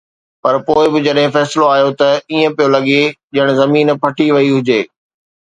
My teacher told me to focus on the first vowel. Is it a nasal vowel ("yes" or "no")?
no